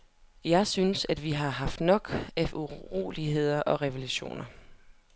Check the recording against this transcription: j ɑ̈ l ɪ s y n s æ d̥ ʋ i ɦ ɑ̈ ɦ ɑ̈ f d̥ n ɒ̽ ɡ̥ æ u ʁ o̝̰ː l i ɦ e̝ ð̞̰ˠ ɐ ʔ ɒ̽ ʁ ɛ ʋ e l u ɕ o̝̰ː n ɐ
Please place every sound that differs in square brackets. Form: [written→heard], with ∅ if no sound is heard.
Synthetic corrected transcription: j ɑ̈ [l→∅] ɪ s y n s æ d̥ ʋ i ɦ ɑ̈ ɦ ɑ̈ f d̥ n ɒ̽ ɡ̥ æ u ʁ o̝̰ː l i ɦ e̝ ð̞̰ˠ ɐ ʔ ɒ̽ ʁ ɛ ʋ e l u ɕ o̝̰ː n ɐ